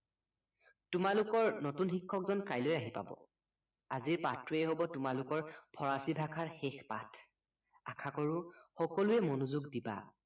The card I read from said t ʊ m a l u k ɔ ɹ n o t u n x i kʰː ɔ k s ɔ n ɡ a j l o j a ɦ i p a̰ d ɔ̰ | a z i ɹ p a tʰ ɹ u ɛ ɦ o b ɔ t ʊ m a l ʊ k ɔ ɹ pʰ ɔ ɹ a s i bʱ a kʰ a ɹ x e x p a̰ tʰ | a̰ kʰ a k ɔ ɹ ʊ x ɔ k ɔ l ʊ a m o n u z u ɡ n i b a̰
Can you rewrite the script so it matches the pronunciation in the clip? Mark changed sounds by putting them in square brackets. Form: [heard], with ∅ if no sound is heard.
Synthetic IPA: t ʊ m a l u k ɔ ɹ n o t u n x i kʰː ɔ k [z] ɔ n [k] a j l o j a ɦ i p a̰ [b] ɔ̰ | a z i ɹ p a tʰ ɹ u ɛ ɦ o b ɔ t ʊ m a l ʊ k ɔ ɹ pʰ ɔ ɹ a s i bʱ a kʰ a ɹ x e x p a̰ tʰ | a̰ kʰ a k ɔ ɹ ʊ x ɔ k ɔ l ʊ [ɛ] m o n u z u ɡ [d] i b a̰

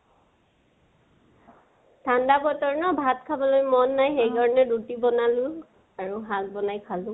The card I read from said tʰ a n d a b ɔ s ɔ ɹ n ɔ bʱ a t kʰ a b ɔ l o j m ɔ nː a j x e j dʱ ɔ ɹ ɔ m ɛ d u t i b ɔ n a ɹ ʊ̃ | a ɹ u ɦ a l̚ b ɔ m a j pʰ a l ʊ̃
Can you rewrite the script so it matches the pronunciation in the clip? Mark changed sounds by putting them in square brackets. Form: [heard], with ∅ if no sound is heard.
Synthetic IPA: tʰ a n d a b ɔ [t] ɔ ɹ n ɔ bʱ a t kʰ a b ɔ l o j m ɔ nː a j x e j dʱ ɔ ɹ ɔ [n] ɛ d u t i b ɔ n a [l] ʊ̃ | a ɹ u ɦ a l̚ b ɔ [n] a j [kʰ] a l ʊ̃

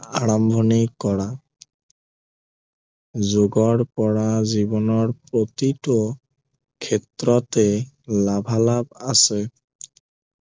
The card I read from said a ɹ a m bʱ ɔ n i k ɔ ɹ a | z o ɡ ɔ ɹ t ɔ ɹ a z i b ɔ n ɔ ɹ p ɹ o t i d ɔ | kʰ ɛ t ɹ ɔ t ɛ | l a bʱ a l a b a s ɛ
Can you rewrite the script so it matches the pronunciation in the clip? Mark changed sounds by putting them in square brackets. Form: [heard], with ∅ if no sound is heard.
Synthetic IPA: a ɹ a m bʱ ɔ n i k ɔ ɹ a | z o ɡ ɔ ɹ [p] ɔ ɹ a z i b ɔ n ɔ ɹ p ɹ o t i [t] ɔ | kʰ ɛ t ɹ ɔ t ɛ | l a bʱ a l a b a s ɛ

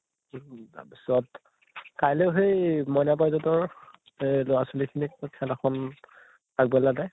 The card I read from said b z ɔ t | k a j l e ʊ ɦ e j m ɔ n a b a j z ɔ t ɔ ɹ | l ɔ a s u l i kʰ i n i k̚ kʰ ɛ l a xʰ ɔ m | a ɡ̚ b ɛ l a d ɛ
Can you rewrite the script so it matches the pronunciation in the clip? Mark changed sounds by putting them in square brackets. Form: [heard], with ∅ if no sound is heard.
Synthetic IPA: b [s] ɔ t | k a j l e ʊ ɦ e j m ɔ n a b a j z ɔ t ɔ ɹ | l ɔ a s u l i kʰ i n i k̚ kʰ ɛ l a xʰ ɔ [n] | a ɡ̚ b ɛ l a d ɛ

